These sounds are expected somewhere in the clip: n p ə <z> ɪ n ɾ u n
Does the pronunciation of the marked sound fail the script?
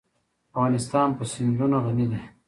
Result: yes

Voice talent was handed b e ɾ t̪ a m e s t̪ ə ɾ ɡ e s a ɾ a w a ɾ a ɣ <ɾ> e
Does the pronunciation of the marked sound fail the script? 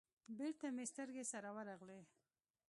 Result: yes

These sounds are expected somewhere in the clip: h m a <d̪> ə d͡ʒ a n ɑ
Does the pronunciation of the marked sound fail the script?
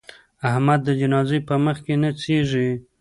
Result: yes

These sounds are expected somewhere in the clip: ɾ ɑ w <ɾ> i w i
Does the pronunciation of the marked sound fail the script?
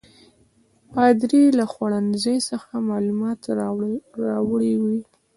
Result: yes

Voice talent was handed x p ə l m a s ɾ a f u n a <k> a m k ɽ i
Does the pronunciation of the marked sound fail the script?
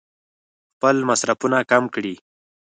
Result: no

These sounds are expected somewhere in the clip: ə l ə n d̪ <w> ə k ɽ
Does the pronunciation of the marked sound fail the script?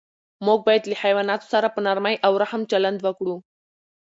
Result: yes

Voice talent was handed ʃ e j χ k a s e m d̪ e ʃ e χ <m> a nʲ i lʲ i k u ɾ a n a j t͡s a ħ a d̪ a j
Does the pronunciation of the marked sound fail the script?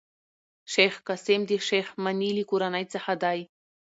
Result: no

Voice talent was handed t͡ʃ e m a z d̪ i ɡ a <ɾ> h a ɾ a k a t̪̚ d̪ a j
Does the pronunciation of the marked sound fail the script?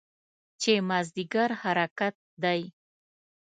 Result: no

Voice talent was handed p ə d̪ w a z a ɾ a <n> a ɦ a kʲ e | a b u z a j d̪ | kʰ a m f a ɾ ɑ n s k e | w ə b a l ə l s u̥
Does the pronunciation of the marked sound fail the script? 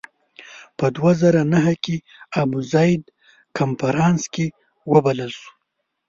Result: no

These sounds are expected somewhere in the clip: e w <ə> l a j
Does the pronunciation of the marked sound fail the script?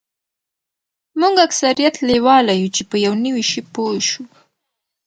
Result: yes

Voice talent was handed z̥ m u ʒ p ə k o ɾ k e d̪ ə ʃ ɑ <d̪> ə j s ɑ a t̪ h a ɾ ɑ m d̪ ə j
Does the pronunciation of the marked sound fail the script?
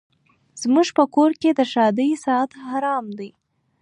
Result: no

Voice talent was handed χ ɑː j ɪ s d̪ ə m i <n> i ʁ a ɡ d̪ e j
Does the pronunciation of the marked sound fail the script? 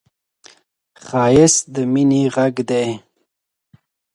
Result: no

